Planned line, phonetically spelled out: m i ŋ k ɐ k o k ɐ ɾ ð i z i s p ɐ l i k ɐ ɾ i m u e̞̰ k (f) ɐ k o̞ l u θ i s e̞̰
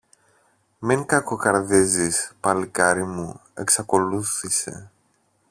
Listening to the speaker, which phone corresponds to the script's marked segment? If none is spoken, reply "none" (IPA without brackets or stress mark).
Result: s